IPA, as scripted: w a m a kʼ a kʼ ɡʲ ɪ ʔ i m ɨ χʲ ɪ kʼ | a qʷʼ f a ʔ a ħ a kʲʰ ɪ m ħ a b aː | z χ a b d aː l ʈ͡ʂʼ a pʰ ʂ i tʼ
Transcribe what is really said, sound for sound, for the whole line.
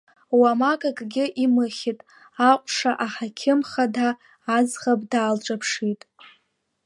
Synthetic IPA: w a m a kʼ a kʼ ɡʲ ɪ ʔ i m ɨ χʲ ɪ tʼ | a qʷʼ ʂ a ʔ a ħ a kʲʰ ɪ m χ a d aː | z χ a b d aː l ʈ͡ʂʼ a pʰ ʂ i tʼ